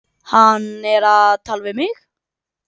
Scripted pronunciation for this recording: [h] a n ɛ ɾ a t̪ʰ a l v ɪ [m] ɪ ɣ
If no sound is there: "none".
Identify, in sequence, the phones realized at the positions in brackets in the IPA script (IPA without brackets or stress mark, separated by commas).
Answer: h, m